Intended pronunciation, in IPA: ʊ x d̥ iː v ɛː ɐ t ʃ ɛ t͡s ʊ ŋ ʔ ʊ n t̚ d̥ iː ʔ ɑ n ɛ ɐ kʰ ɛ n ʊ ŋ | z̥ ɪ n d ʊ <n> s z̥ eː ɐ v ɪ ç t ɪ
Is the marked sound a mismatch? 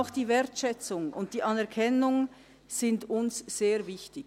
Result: no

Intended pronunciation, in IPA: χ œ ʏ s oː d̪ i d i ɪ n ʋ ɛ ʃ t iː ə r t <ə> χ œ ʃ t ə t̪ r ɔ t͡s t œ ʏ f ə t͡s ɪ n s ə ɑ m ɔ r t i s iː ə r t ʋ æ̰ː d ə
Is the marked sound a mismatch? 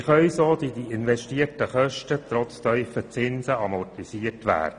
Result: no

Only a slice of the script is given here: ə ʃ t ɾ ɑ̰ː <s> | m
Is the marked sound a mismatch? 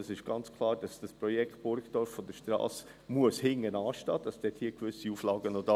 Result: no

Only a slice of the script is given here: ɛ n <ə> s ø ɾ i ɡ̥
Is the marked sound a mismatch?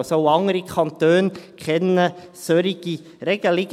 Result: no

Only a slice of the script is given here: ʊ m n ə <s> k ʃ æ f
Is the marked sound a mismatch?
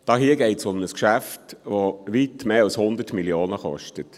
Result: no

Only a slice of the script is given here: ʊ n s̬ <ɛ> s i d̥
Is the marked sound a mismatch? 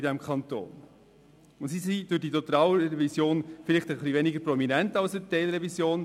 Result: yes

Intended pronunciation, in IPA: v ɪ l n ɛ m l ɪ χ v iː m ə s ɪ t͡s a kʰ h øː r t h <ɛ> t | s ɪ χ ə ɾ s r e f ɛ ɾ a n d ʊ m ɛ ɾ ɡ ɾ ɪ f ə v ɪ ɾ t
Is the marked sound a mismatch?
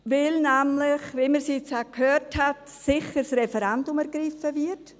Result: yes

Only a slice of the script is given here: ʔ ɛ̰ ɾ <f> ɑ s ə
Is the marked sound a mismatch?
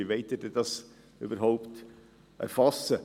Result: no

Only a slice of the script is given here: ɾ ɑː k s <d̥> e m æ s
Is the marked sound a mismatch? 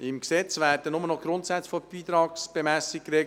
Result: yes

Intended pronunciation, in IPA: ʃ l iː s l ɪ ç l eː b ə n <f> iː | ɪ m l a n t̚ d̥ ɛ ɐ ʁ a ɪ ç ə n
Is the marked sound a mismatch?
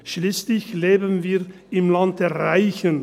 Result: yes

